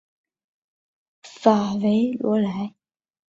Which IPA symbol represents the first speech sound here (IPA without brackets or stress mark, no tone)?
f